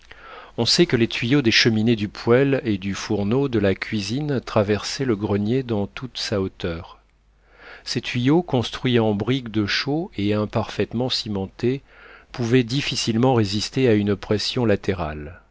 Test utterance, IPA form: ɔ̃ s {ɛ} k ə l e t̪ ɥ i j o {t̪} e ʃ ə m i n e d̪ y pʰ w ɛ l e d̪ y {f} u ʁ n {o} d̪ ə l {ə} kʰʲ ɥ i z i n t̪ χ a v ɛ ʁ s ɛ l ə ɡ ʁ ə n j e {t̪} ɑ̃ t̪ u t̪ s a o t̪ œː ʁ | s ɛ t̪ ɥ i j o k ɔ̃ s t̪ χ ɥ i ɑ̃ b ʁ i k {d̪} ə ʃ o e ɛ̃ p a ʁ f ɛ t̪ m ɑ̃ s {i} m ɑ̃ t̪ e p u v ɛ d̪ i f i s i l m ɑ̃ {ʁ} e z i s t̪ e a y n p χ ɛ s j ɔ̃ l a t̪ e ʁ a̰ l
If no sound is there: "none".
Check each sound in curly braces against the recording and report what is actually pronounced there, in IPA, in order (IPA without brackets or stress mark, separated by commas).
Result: ɛ, d̪, f, o, a, d̪, d̪, i, ʁ